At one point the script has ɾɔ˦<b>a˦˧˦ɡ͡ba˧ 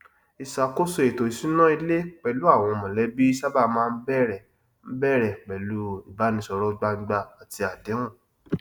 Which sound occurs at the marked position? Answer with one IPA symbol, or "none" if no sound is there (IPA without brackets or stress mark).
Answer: ɡ͡b